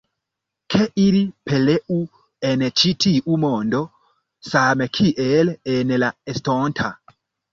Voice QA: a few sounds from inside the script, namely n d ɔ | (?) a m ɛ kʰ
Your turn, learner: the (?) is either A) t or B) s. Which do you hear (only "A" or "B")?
B